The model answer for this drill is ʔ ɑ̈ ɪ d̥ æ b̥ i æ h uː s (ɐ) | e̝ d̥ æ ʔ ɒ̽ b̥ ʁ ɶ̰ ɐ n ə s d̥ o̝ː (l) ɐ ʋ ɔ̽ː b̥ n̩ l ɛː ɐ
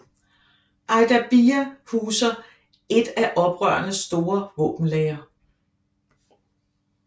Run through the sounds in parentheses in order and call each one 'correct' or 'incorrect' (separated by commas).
correct, incorrect